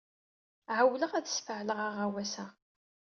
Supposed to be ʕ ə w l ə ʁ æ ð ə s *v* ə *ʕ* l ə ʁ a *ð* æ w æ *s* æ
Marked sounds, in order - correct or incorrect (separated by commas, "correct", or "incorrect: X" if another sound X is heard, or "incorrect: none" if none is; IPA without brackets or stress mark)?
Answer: incorrect: f, correct, incorrect: ʁ, correct